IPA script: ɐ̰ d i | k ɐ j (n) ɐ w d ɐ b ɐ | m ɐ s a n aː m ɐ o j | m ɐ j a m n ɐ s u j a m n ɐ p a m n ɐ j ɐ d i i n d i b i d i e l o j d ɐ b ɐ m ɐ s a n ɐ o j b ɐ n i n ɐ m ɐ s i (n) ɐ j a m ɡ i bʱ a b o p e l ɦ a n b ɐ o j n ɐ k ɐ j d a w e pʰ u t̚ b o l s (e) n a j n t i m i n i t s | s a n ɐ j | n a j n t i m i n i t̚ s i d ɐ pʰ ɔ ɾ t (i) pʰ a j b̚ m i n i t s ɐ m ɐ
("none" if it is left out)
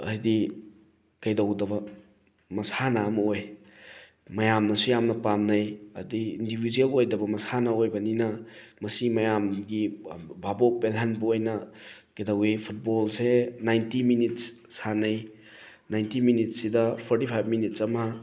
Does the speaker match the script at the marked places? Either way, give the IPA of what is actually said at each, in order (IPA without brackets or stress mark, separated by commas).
d, m, e, i